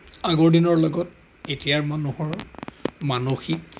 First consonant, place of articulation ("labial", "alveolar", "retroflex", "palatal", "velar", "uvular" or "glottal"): velar